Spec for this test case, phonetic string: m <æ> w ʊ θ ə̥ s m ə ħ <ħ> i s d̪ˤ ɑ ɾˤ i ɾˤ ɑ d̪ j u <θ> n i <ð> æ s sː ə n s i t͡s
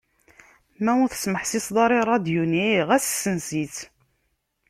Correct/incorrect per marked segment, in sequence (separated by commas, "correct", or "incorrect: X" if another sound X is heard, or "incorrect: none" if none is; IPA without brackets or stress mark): correct, incorrect: s, incorrect: none, incorrect: ʁ